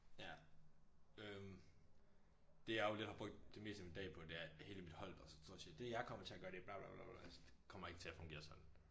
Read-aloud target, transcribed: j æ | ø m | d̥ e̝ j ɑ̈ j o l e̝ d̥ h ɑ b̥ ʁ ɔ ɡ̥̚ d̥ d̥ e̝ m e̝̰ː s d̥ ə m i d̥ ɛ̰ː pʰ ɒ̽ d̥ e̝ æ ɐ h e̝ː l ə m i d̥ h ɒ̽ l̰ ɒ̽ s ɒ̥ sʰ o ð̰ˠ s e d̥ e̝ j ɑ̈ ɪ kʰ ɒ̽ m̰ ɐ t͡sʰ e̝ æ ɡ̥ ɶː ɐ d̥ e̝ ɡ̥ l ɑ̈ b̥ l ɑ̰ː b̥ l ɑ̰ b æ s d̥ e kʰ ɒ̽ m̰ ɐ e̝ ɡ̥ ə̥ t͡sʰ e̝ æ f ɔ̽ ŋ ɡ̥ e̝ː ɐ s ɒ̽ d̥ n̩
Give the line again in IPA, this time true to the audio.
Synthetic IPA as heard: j æ | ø m | d̥ e̝ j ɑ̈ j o l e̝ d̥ h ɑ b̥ ʁ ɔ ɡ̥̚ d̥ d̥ e̝ m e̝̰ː s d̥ ə m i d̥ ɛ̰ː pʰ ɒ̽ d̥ e̝ æ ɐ h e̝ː l ə m i d̥ h ɒ̽ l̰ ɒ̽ s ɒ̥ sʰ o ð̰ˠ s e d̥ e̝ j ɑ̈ ɪ kʰ ɒ̽ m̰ ɐ t͡sʰ e̝ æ ɡ̥ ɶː ɐ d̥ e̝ b̥ l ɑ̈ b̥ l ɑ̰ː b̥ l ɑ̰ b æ s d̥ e kʰ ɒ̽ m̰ ɐ e̝ ɡ̥ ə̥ t͡sʰ e̝ æ f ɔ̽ ŋ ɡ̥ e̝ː ɐ s ɒ̽ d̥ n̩